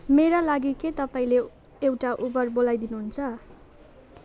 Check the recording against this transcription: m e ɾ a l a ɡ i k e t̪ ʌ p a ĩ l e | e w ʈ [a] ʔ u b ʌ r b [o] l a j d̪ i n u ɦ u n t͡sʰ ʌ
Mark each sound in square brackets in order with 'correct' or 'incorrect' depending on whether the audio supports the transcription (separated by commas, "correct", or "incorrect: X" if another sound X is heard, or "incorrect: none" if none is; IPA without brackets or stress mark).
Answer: correct, correct